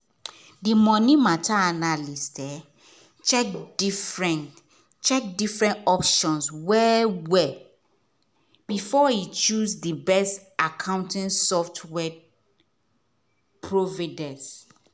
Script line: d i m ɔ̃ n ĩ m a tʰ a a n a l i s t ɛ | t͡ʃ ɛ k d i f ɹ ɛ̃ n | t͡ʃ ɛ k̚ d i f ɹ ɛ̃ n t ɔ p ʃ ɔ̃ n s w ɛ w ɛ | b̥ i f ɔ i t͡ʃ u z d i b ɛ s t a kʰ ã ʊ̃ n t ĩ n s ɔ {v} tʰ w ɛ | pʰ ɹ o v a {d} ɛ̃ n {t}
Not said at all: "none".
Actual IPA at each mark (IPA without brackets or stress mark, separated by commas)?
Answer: f, d, s